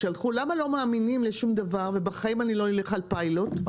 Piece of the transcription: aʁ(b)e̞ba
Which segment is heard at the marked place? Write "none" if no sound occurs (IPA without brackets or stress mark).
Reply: v